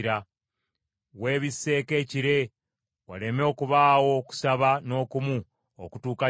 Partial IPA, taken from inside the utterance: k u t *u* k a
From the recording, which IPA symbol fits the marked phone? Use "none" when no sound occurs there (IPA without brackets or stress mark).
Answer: uː